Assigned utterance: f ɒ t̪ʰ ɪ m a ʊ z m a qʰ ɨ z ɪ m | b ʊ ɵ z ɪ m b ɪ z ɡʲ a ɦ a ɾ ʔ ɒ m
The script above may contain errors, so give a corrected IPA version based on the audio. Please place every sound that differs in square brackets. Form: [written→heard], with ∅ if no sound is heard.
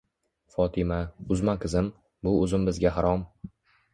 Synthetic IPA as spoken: f ɒ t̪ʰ ɪ m a ʊ z m a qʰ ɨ z ɪ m | b ʊ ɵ z ɪ m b ɪ z ɡʲ a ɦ a ɾ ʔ ɒ m